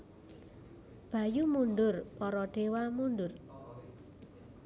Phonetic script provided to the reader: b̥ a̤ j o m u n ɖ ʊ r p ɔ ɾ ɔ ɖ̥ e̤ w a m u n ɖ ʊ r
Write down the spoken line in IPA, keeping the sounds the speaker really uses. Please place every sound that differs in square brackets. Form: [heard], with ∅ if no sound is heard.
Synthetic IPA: b̥ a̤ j [u] m u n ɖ ʊ r p ɔ ɾ ɔ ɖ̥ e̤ w a m u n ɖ ʊ r